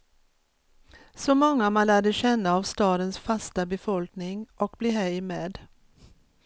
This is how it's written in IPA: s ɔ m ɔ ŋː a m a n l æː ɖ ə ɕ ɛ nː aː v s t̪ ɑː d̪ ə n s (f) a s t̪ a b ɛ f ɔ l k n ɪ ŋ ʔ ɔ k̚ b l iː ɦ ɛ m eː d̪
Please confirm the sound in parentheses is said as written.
yes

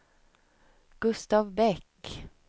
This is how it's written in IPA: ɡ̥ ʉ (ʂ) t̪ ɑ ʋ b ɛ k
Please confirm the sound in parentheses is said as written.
no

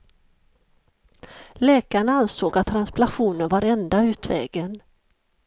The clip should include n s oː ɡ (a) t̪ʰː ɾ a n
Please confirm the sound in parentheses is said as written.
yes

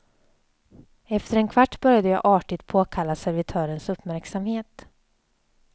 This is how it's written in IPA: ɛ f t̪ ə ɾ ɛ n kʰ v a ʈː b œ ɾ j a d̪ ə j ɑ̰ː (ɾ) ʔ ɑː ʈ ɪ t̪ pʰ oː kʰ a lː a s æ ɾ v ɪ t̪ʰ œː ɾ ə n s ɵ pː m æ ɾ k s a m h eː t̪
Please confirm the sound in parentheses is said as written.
no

